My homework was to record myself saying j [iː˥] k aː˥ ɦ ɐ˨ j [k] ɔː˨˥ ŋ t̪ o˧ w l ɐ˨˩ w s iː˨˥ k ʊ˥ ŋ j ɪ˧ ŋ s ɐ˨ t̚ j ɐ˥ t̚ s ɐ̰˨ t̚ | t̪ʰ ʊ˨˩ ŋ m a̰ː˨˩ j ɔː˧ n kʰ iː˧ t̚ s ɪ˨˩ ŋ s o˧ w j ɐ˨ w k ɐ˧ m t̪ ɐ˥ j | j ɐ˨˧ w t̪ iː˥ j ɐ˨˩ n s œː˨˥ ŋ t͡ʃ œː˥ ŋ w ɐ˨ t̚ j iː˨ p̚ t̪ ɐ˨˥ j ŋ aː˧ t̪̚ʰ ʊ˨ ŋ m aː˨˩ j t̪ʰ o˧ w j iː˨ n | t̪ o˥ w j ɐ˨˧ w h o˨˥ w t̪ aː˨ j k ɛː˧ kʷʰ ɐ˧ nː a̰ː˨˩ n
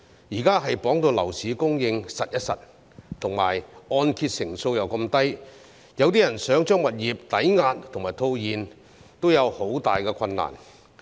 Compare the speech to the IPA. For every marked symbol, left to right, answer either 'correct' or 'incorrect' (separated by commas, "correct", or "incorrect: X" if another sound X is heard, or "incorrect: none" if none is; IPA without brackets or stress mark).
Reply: incorrect: iː˨˩, incorrect: p